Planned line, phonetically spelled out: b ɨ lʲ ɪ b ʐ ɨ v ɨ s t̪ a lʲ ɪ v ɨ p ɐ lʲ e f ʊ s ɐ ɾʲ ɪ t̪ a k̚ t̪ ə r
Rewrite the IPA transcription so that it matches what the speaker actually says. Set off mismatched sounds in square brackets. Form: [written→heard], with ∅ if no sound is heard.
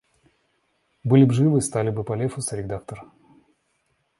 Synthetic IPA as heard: b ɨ lʲ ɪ b ʐ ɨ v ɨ s t̪ a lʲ ɪ [v→b] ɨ p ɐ lʲ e f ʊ s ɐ ɾʲ ɪ [t̪→d̪] a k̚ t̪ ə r